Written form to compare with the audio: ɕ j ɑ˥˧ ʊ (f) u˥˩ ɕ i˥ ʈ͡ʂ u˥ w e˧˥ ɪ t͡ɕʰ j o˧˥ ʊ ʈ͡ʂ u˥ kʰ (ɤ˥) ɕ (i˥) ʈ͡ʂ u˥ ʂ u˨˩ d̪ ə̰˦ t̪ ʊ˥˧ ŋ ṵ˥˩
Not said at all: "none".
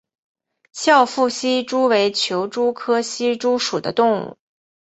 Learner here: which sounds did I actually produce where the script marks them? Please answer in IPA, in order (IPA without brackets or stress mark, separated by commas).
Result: f, ɤ˥, i˥